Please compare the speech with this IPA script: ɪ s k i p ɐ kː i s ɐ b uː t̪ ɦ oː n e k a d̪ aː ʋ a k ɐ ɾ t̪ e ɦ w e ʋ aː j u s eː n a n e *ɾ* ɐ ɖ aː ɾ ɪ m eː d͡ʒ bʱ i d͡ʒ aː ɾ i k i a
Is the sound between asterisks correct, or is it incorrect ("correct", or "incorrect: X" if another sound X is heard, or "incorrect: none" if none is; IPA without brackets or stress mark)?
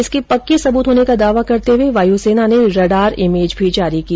correct